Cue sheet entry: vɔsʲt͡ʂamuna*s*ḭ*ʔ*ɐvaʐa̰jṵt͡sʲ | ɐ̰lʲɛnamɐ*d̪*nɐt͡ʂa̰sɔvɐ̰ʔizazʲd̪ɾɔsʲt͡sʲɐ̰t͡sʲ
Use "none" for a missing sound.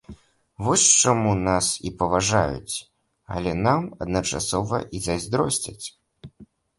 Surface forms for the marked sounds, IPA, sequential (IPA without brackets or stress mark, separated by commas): s, p, d̪